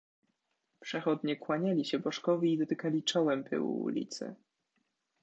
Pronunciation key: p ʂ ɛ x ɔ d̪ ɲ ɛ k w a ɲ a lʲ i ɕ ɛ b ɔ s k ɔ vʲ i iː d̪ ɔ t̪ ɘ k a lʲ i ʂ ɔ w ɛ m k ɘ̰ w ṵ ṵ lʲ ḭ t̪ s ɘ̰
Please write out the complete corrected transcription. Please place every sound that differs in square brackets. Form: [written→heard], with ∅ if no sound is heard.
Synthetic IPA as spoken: p ʂ ɛ x ɔ d̪ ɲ ɛ k w a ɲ a lʲ i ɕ ɛ b ɔ [s→ʂ] k ɔ vʲ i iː d̪ ɔ t̪ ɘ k a lʲ i [ʂ→t͡ʂ] ɔ w ɛ m [k→p] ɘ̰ w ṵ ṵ lʲ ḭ t̪ s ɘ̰